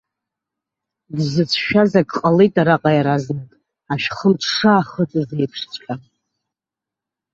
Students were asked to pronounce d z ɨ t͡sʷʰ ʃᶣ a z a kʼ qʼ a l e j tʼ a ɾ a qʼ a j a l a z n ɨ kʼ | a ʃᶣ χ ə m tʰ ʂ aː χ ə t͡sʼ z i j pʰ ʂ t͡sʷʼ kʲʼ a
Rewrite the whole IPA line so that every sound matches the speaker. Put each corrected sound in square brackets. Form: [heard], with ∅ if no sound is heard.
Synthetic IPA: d z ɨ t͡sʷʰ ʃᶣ a z a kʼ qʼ a l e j tʼ a ɾ a qʼ a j a [ɾ] a z n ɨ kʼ | a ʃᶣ χ ə m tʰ ʂ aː χ ə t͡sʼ z [e] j pʰ ʂ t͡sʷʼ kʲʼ a